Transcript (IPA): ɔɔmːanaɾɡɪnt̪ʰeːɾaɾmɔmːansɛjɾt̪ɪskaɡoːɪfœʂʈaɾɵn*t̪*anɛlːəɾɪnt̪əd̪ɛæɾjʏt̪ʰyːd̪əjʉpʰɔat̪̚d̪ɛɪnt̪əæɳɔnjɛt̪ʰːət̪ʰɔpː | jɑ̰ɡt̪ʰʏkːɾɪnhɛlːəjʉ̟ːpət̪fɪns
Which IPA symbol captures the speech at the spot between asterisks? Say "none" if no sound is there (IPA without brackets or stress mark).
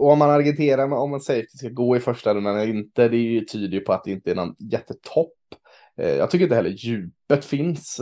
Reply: d̪